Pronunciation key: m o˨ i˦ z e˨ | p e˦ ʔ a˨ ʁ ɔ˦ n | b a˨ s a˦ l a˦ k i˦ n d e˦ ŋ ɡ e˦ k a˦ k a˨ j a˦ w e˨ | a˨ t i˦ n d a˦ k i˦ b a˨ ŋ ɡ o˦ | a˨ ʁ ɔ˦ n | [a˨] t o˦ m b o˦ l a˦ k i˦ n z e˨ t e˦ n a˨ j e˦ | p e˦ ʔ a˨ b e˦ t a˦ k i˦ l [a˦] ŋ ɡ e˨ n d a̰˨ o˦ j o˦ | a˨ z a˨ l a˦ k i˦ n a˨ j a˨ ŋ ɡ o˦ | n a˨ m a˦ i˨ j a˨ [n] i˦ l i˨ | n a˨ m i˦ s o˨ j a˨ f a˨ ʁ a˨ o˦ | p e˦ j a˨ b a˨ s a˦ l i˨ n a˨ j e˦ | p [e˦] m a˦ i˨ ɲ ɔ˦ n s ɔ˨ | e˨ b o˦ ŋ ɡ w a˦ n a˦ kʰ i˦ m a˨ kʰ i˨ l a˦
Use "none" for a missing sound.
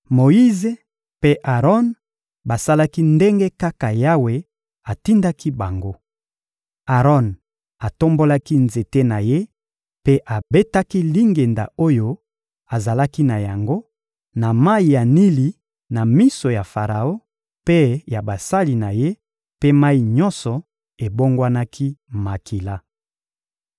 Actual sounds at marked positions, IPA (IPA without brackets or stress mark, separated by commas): a˨, i˦, n, e˦